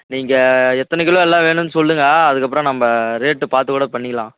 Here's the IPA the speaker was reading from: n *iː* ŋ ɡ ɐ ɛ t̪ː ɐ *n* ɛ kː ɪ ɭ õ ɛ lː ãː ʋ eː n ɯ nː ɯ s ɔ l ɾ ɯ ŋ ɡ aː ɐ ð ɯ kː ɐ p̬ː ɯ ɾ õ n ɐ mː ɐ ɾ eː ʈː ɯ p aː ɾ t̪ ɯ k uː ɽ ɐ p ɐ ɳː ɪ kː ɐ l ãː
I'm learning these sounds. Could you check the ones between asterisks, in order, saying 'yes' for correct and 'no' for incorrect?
yes, yes

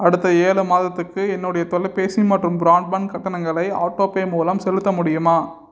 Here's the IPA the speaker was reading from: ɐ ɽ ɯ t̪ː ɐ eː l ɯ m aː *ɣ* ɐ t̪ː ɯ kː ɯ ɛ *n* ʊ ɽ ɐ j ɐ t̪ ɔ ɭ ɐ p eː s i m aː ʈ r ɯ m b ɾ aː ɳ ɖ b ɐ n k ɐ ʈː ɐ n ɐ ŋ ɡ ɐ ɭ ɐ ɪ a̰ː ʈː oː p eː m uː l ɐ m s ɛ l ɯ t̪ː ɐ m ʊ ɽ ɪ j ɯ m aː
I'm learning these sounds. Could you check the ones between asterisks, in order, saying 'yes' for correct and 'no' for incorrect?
no, no

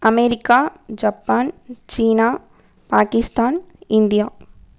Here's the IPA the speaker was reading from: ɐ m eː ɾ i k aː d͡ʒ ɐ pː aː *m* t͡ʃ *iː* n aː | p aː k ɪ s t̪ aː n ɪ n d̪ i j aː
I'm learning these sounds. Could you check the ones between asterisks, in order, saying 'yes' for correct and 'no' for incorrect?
no, yes

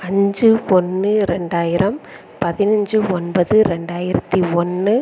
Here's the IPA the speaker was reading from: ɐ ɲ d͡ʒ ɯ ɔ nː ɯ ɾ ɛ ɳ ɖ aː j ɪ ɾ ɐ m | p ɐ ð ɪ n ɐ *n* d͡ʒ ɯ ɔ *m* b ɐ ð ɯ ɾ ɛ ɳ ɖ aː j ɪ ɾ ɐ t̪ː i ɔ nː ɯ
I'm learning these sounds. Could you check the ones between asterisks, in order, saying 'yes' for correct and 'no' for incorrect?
no, no

